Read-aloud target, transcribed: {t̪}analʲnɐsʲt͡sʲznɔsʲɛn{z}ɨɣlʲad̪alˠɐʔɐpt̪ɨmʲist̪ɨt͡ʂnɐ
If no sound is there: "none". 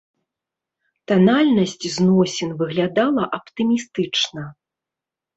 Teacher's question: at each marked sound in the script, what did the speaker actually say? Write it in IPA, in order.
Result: t̪, v

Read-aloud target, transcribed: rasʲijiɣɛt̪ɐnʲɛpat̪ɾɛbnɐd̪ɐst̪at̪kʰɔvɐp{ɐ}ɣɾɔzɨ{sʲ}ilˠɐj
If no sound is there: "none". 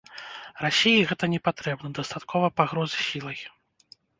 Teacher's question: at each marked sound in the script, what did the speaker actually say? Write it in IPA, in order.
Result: a, sʲ

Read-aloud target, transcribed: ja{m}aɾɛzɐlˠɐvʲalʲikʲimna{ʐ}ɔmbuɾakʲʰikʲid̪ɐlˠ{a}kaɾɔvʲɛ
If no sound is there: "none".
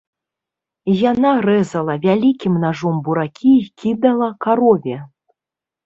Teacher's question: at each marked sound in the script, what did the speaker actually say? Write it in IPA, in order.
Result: n, ʐ, ɐ

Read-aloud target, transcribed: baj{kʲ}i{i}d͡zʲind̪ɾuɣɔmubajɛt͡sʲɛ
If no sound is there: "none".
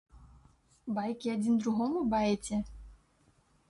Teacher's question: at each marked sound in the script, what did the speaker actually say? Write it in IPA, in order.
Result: kʲ, a

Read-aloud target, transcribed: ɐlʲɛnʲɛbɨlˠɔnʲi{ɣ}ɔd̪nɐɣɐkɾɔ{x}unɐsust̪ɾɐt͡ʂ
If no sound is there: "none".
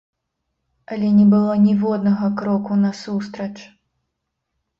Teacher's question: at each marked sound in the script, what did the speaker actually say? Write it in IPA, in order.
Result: v, k

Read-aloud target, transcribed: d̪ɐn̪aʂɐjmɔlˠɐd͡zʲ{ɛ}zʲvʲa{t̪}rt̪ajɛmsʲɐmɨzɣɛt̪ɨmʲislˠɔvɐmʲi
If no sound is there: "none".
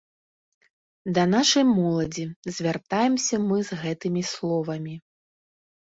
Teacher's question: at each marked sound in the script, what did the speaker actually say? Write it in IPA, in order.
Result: i, none

